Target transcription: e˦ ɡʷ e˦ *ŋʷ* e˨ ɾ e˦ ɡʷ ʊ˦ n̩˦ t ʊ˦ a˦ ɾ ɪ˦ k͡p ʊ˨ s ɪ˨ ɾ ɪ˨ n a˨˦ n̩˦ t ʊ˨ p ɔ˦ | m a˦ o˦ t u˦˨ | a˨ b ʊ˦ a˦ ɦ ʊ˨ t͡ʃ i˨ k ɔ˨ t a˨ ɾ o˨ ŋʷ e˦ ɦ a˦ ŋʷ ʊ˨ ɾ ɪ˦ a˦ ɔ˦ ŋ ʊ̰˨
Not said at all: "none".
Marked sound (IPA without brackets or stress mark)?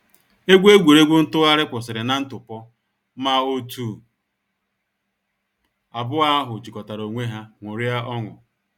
ɡʷ